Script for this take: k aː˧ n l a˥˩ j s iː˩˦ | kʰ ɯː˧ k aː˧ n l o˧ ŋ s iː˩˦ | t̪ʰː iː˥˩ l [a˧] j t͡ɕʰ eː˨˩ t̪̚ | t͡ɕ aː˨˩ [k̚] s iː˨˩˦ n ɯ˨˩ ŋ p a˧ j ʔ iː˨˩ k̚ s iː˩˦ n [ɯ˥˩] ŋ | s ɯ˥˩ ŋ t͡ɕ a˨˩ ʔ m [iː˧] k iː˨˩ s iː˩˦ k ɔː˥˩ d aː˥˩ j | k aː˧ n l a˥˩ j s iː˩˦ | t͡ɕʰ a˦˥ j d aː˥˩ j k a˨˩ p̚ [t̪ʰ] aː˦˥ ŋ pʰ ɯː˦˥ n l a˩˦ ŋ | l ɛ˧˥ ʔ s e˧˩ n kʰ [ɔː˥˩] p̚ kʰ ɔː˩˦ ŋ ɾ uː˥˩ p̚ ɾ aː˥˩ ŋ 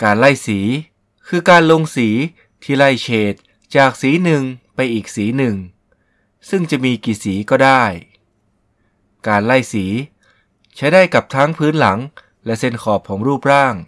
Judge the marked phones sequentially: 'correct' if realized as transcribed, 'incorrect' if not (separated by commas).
incorrect, correct, incorrect, correct, correct, incorrect